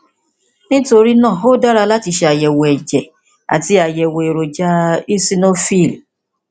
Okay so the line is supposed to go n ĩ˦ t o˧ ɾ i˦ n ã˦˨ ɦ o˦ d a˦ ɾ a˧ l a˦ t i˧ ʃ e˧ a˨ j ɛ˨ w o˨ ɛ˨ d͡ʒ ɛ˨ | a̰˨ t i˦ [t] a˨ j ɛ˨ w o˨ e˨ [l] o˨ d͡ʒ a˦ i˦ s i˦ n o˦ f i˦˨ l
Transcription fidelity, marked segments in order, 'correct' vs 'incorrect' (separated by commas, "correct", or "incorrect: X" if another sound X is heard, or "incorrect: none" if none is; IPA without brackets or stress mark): incorrect: none, incorrect: ɾ